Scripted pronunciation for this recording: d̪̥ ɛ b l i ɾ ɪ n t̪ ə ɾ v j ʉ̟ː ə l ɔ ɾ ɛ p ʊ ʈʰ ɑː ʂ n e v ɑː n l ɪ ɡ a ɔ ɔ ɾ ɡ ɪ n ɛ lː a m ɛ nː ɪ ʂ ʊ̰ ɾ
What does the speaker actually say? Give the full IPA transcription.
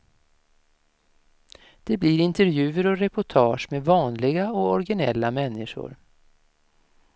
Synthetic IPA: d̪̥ ɛ b l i ɾ ɪ n t̪ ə ɾ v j ʉ̟ː ə ɾ ɔ ɾ ɛ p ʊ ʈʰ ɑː ʂ m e v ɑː n l ɪ ɡ a ɔ ɔ ɾ ɡ ɪ n ɛ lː a m ɛ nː ɪ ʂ ʊ̰ ɾ